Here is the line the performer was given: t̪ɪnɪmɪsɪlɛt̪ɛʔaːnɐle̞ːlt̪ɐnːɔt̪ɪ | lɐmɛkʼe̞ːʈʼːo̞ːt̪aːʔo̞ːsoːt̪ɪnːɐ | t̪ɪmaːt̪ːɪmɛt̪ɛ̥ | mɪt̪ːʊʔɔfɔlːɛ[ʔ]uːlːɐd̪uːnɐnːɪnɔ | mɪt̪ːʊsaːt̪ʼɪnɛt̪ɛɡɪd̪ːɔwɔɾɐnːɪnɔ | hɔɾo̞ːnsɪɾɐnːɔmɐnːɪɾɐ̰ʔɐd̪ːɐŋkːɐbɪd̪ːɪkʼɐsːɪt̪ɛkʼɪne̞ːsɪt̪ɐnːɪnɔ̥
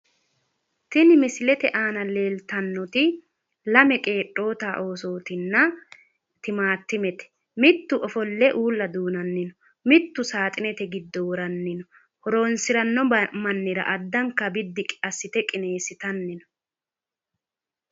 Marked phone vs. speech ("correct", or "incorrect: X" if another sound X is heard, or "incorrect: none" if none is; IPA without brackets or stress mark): correct